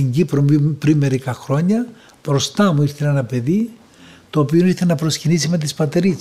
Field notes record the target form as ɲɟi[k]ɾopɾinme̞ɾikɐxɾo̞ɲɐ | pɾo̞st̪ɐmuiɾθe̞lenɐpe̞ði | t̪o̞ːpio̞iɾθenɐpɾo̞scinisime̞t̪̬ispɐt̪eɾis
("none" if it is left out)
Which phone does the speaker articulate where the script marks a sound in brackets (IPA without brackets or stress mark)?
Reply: p